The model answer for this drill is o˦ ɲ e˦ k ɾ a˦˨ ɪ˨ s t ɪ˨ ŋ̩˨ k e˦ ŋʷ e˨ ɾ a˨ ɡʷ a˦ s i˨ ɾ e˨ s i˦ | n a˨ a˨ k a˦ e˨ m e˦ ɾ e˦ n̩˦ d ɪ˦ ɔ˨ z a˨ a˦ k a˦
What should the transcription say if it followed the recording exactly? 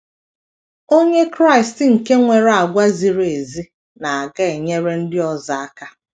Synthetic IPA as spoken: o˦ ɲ e˦ k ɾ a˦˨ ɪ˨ s t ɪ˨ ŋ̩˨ k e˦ ŋʷ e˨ ɾ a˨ ɡʷ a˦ z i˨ ɾ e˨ z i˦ | n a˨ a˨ ɡ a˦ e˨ ɲ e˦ ɾ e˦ n̩˦ d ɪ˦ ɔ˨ z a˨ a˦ k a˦